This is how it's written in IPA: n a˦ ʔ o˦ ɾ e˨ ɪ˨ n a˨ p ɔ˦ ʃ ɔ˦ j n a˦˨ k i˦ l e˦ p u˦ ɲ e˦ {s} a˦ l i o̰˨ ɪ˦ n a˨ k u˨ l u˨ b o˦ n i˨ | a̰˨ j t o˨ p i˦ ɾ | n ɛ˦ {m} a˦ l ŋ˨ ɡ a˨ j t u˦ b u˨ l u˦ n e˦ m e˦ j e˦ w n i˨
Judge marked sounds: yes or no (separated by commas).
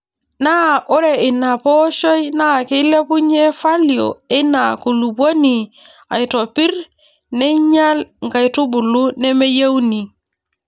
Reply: no, no